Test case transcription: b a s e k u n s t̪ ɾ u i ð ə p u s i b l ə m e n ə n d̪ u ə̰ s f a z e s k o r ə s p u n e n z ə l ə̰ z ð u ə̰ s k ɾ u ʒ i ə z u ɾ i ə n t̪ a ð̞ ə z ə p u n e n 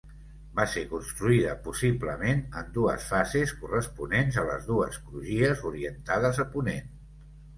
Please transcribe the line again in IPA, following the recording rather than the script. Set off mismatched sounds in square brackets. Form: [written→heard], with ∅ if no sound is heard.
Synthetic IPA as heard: b a s e k u n s t̪ ɾ u i ð ə p u s i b l ə m e n ə n d̪ u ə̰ s f a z e s k [o→u] r ə s p u n e n z ə l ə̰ z ð u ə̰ s k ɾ u ʒ i ə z u ɾ i ə n t̪ a ð̞ ə z ə p u n e n